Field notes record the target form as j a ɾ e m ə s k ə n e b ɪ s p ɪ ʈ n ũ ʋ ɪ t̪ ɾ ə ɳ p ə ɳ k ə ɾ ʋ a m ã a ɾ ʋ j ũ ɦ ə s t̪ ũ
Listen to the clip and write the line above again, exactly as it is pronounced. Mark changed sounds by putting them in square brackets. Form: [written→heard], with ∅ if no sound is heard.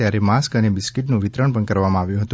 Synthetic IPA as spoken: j a ɾ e m [ə→a] s k ə n e b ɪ s [p→k] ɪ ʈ n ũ ʋ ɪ t̪ ɾ ə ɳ p ə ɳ k ə ɾ ʋ a m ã a [ɾ→∅] ʋ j ũ ɦ ə [s→∅] t̪ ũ